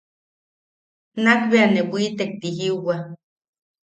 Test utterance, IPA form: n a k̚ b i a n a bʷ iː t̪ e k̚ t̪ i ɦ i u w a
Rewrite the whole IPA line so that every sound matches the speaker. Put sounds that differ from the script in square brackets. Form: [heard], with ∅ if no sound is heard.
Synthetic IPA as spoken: n a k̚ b [e] a n [e] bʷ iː t̪ e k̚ t̪ i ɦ i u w a